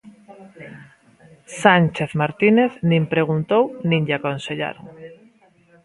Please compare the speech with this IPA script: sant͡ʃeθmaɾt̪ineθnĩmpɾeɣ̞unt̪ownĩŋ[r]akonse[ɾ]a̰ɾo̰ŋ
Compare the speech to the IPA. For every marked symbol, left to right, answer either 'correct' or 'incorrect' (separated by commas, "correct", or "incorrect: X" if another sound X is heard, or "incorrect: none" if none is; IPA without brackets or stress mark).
incorrect: ʎ, incorrect: ʎ